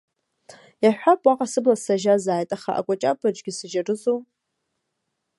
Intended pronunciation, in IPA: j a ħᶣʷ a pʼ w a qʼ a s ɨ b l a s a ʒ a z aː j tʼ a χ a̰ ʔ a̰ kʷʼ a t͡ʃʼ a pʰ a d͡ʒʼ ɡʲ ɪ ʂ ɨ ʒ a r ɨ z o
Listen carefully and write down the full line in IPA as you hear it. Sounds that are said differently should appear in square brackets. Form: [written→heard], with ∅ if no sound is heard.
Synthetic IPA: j a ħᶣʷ a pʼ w a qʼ a s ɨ b l a s a ʒ a z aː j tʼ a χ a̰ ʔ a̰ kʷʼ a t͡ʃʼ a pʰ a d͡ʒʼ ɡʲ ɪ [ʂ→s] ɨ ʒ a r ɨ z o